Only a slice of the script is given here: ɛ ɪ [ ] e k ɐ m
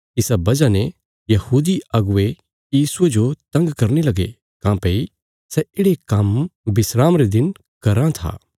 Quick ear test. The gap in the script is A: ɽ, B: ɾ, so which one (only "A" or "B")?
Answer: A